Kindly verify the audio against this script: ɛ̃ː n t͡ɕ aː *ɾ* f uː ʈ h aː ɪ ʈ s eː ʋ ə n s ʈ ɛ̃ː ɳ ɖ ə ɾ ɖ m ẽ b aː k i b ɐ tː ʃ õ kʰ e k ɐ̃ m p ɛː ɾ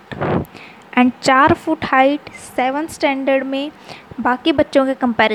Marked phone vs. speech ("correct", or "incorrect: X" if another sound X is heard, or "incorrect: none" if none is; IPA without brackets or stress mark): correct